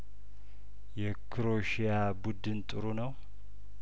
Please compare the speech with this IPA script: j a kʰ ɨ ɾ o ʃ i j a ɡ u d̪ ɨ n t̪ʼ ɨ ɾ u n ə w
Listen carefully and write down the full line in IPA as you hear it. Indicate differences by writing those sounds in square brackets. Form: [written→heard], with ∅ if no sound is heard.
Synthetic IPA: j [a→ɛ] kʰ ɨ ɾ o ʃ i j a [ɡ→b] u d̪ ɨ n t̪ʼ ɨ ɾ u n ə w